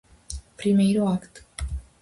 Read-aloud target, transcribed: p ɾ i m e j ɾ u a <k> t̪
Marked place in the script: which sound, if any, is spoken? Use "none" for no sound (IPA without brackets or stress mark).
k